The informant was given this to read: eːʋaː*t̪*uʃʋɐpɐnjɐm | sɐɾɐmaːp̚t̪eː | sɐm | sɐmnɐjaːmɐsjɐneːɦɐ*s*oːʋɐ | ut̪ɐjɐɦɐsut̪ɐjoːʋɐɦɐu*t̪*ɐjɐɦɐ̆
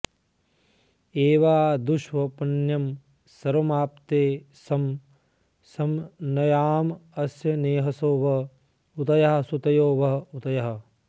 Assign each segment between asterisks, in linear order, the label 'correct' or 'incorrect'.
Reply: incorrect: d̪, correct, correct

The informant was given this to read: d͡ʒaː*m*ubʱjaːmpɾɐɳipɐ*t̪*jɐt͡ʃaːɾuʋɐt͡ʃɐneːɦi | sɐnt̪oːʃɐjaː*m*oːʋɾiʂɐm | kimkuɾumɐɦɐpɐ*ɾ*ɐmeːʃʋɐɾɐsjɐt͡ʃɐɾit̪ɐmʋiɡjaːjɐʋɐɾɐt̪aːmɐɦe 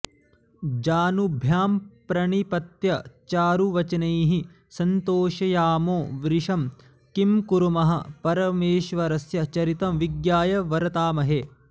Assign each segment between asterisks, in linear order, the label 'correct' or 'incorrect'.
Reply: incorrect: n, correct, correct, correct

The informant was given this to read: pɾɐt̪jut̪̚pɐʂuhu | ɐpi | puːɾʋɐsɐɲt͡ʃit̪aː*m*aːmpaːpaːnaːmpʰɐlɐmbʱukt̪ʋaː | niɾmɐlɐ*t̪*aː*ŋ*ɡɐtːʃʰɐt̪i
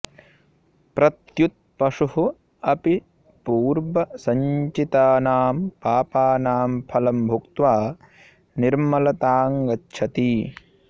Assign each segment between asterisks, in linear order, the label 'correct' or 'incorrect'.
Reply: incorrect: n, correct, correct

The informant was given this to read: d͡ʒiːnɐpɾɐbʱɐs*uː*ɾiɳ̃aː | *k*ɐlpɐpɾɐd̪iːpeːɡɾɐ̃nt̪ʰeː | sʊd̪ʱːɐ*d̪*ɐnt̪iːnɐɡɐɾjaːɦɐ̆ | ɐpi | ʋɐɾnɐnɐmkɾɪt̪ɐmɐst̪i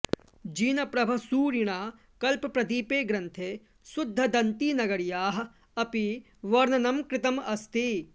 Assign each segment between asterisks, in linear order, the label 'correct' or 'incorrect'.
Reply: correct, correct, correct

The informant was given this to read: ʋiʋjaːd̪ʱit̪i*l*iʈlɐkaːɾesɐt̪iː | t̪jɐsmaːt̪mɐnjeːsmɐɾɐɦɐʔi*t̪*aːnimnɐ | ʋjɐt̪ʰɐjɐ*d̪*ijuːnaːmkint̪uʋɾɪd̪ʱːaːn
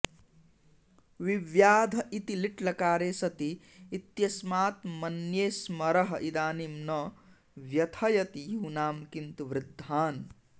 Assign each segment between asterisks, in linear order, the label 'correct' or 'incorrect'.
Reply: correct, incorrect: d̪, incorrect: t̪

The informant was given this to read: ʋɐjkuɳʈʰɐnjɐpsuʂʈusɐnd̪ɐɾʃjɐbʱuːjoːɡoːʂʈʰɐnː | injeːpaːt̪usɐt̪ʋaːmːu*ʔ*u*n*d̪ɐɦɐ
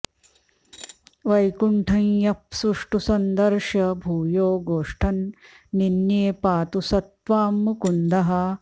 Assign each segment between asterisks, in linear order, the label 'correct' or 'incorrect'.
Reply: incorrect: k, correct

